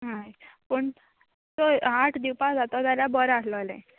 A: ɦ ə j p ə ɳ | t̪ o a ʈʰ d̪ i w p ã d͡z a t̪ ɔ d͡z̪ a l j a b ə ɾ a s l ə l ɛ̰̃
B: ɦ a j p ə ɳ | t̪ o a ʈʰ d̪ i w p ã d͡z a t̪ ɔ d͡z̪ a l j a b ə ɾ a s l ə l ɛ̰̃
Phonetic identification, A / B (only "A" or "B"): B